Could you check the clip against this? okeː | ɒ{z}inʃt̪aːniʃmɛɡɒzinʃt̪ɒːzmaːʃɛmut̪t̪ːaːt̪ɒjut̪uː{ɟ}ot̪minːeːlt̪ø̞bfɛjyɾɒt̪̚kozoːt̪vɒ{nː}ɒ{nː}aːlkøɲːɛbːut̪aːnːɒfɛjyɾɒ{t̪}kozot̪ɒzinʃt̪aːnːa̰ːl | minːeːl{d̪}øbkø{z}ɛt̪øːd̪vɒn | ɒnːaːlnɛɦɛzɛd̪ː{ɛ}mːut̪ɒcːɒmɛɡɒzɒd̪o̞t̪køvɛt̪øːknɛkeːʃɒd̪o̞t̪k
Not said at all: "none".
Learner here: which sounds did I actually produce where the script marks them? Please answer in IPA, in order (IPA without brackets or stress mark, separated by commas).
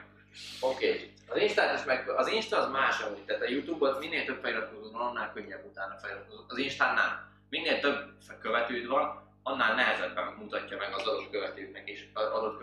z, b, n, nː, t̪, t̪, v, ɛ